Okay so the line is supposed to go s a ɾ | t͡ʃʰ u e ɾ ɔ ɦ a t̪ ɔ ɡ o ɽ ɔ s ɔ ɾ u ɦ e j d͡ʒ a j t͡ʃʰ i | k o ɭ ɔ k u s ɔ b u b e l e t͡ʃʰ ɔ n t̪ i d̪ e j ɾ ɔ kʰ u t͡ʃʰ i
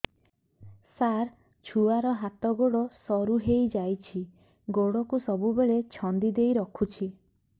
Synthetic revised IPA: s a ɾ | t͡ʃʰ u a ɾ ɔ ɦ a t̪ ɔ ɡ o ɽ ɔ s ɔ ɾ u ɦ e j d͡ʒ a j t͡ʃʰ i | ɡ o ɽ ɔ k u s ɔ b u b e ɭ e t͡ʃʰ ɔ n d̪ i d̪ e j ɾ ɔ kʰ u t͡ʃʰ i